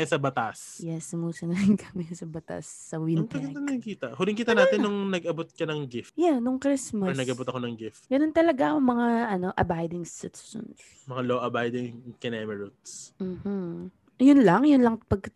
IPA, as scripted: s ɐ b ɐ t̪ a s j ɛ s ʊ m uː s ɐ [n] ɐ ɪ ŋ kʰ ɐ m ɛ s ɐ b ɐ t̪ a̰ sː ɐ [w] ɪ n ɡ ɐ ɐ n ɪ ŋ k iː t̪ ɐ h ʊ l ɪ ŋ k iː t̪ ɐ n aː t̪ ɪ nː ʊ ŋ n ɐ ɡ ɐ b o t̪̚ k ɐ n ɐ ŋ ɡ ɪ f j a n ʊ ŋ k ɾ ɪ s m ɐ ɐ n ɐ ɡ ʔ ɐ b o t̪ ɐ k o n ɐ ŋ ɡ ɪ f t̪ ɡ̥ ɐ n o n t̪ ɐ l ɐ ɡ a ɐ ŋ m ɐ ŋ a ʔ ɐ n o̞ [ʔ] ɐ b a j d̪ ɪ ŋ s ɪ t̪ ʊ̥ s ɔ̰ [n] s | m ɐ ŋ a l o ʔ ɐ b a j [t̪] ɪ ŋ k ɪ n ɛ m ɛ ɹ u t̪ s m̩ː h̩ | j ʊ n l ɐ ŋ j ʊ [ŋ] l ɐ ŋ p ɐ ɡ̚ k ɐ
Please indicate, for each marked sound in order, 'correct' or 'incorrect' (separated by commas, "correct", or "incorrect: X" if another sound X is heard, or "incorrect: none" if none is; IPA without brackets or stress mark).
correct, correct, correct, correct, incorrect: d̪, incorrect: n